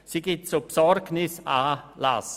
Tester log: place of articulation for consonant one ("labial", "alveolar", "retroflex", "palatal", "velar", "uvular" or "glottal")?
alveolar